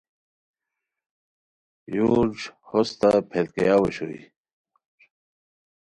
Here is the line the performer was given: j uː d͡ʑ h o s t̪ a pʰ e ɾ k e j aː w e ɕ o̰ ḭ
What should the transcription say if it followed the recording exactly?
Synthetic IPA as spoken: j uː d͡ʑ h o s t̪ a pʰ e l k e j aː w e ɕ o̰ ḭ